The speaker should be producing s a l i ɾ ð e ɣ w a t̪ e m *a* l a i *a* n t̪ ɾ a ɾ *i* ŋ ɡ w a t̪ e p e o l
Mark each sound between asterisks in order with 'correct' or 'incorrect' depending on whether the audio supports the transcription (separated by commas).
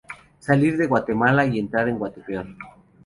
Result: correct, incorrect, incorrect